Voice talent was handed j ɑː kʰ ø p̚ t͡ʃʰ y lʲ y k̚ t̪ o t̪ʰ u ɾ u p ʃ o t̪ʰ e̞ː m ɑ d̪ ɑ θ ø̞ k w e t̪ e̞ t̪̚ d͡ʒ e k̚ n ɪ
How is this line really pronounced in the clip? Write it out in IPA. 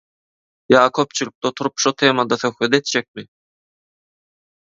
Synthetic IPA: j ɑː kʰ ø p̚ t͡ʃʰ y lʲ y k̚ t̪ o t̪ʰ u ɾ u p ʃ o t̪ʰ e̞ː m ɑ d̪ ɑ θ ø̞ x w e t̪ e̞ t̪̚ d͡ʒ e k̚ m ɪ